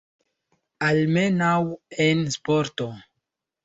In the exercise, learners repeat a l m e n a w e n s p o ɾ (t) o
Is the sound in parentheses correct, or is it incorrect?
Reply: correct